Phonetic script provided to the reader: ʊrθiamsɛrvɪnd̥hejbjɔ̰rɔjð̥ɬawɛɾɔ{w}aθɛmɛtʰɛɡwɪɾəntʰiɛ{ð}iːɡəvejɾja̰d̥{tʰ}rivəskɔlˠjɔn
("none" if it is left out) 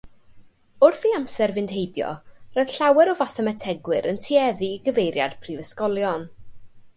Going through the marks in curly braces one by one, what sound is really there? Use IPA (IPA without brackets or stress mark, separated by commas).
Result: v, ð, pʰ